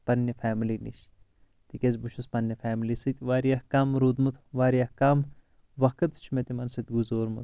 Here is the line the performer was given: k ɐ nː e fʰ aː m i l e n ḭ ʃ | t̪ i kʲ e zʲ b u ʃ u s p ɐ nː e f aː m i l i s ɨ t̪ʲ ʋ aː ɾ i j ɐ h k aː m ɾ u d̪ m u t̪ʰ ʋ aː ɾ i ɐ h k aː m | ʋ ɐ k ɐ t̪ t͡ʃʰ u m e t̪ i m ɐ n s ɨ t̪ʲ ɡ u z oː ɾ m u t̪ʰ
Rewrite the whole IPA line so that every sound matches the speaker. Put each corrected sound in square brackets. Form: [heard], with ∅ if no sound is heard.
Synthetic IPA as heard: [p] ɐ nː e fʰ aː m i l [i] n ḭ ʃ | t̪ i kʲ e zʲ b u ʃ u s p ɐ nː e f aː m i l i s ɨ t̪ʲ ʋ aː ɾ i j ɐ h k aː m ɾ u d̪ m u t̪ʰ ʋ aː ɾ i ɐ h k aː m | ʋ ɐ k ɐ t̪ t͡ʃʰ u m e t̪ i m ɐ n s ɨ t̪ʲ ɡ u z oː ɾ m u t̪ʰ